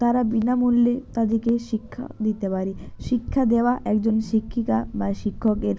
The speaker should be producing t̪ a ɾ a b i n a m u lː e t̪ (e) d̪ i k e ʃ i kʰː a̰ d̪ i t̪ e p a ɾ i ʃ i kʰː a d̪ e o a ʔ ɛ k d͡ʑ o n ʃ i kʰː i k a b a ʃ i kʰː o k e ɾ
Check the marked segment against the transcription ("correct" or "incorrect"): incorrect